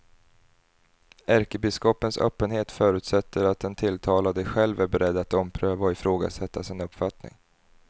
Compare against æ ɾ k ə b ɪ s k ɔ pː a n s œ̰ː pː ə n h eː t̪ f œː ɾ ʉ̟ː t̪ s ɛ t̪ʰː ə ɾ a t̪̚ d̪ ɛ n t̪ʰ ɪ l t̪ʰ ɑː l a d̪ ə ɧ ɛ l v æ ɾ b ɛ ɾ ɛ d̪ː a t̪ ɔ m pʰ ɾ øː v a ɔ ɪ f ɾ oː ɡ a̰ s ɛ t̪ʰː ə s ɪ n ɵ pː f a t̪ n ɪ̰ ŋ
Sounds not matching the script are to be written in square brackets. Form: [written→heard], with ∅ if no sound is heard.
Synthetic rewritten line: æ ɾ k ə b ɪ s k ɔ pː [a→ə] n s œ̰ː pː ə n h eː t̪ f œː ɾ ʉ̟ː t̪ s ɛ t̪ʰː ə ɾ a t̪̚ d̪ ɛ n t̪ʰ ɪ l t̪ʰ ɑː l a d̪ ə ɧ ɛ l v æ ɾ b ɛ ɾ ɛ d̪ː a t̪ ɔ m pʰ ɾ øː v a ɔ ɪ f ɾ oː ɡ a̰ s ɛ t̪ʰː [ə→a] s ɪ n ɵ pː f a t̪ n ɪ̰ ŋ

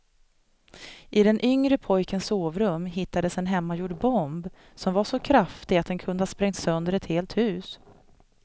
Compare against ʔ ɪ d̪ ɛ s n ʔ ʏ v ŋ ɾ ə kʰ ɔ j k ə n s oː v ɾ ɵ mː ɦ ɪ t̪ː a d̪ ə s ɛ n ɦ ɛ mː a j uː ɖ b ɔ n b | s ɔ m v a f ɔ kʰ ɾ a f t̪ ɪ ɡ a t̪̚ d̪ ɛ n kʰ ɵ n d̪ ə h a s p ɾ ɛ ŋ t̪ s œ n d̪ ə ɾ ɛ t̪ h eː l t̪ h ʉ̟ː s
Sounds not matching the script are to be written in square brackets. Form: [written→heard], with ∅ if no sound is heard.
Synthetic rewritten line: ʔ ɪ d̪ ɛ [s→∅] n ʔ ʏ [v→∅] ŋ ɾ ə [kʰ→pʰ] ɔ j k ə n s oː v ɾ ɵ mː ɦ ɪ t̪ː a d̪ ə s ɛ n ɦ ɛ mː a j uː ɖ b ɔ [n→m] b | s ɔ m v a [f→ʂ] ɔ kʰ ɾ a f t̪ ɪ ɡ a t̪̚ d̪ ɛ n kʰ ɵ n d̪ ə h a s p ɾ ɛ ŋ t̪ s œ n d̪ ə ɾ ɛ t̪ h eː l t̪ h ʉ̟ː s

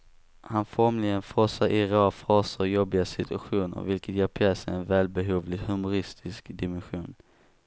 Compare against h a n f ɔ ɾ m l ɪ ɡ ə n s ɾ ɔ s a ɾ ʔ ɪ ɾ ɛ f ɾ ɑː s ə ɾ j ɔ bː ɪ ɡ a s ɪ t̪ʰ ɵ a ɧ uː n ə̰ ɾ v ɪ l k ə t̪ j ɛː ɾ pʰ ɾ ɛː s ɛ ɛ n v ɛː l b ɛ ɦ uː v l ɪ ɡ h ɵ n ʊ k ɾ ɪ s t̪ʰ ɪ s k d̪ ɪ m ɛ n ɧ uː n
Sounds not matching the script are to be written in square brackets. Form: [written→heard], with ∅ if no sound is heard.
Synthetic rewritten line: h a n f ɔ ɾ m l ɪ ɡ ə n [s→f] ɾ ɔ s a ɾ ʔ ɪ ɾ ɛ f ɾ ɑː s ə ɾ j ɔ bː ɪ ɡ a s ɪ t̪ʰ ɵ a ɧ uː n ə̰ ɾ v ɪ l k ə t̪ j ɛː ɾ pʰ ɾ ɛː s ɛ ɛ n v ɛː l b ɛ ɦ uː v l ɪ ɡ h ɵ [n→m] ʊ [k→∅] ɾ ɪ s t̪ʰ ɪ s k d̪ ɪ m ɛ n ɧ uː n

